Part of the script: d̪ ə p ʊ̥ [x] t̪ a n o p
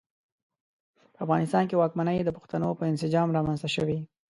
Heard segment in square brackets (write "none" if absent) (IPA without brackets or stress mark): x